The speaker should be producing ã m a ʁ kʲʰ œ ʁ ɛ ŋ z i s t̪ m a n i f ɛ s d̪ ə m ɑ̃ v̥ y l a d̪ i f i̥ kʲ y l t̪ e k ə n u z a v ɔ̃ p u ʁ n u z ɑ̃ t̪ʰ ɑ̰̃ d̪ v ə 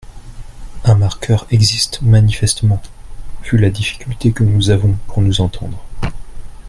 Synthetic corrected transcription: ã m a ʁ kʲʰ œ ʁ ɛ ɡ z i s t̪ m a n i f ɛ s t̪ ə m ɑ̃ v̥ y l a d̪ i f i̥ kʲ y l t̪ e k ə n u z a v ɔ̃ p u ʁ n u z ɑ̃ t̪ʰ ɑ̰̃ d̪ ʁ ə